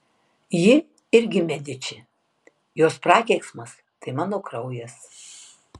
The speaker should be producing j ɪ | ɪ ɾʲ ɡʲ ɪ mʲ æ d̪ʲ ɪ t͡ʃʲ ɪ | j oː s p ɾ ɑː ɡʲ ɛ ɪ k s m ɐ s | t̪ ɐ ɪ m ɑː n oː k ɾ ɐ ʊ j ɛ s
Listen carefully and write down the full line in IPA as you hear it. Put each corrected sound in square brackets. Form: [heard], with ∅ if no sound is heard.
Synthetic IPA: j ɪ | ɪ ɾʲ ɡʲ ɪ mʲ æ d̪ʲ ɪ t͡ʃʲ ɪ | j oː s p ɾ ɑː [kʲ] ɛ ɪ k s m ɐ s | t̪ ɐ ɪ m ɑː n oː k ɾ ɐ ʊ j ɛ s

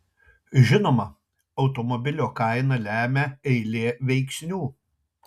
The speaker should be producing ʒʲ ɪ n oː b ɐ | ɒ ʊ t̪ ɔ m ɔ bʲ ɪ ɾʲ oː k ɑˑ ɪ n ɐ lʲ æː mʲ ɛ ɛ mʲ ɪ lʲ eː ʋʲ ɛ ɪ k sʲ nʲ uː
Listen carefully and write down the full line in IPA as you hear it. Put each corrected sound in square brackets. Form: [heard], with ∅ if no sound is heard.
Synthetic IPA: ʒʲ ɪ n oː [m] ɐ | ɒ ʊ t̪ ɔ m ɔ bʲ ɪ [lʲ] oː k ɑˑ ɪ n ɐ lʲ æː mʲ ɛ ɛ [∅] ɪ lʲ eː ʋʲ ɛ ɪ k sʲ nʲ uː

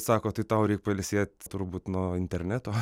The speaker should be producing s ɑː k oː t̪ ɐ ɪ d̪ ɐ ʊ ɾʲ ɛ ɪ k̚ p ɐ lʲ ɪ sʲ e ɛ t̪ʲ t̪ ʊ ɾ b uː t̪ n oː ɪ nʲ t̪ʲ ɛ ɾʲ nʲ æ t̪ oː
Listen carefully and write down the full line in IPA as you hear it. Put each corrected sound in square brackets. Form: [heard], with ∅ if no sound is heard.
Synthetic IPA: s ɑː k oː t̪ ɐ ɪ [t̪] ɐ ʊ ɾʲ ɛ ɪ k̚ p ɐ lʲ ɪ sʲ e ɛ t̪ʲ t̪ ʊ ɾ b uː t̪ n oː ɪ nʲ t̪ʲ ɛ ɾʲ nʲ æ t̪ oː

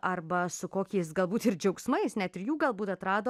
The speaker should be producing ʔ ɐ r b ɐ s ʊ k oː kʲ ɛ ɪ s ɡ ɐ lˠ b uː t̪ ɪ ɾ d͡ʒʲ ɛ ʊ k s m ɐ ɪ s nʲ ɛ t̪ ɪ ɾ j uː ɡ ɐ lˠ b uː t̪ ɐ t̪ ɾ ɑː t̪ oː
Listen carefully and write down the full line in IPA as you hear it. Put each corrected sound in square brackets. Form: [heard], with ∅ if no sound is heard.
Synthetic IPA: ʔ ɐ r b ɐ s ʊ k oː kʲ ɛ ɪ s ɡ ɐ lˠ b uː t̪ ɪ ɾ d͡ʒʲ ɛ ʊ k s m ɐ ɪ s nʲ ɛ t̪ ɪ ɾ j uː ɡ ɐ lˠ b uː t̪ ɐ t̪ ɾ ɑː [d̪] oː

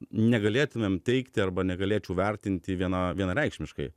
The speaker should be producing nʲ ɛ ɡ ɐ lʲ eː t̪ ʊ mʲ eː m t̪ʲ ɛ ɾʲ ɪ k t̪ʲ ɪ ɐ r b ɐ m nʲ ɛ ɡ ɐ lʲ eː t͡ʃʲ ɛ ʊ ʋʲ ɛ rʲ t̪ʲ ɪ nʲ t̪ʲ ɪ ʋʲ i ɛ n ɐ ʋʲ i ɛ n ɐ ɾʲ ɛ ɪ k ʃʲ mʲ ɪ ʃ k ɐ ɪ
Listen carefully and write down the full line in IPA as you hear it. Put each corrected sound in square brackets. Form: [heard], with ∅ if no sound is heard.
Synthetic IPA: nʲ ɛ ɡ ɐ lʲ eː t̪ ʊ mʲ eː m t̪ʲ ɛ [∅] ɪ k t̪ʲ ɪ ɐ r b ɐ [∅] nʲ ɛ ɡ ɐ lʲ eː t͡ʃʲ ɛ ʊ ʋʲ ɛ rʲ t̪ʲ ɪ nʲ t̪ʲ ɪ ʋʲ i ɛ n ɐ ʋʲ i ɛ n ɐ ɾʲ ɛ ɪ k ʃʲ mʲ ɪ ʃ k ɐ ɪ

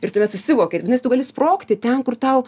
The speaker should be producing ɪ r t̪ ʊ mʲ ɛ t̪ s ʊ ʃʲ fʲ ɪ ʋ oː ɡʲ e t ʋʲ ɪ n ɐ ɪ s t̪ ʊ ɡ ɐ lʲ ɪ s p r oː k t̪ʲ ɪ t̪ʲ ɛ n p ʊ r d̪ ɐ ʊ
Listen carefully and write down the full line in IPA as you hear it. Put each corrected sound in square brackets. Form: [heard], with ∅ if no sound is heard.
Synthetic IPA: ɪ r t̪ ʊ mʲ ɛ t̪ s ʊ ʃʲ [sʲ] ɪ ʋ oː [kʲ] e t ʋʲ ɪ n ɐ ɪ s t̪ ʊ ɡ ɐ lʲ ɪ s p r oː k t̪ʲ ɪ t̪ʲ ɛ n [k] ʊ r [t̪] ɐ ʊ

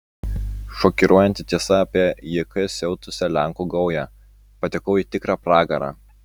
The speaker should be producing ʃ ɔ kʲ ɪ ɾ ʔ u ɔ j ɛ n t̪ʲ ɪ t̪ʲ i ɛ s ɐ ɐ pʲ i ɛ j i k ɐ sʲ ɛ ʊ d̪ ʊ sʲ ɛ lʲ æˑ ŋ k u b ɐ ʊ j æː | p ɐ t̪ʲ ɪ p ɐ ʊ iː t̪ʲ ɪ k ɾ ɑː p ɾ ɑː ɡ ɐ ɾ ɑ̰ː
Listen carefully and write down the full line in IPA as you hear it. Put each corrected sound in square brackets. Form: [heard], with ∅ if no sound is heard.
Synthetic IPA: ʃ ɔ kʲ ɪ ɾ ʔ u ɔ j ɛ n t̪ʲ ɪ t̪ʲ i ɛ s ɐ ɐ pʲ i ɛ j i k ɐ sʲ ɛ ʊ [t̪] ʊ sʲ ɛ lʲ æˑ ŋ k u [ɡ] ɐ ʊ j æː | p ɐ t̪ʲ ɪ [k] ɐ ʊ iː t̪ʲ ɪ k ɾ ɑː p ɾ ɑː ɡ ɐ ɾ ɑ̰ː

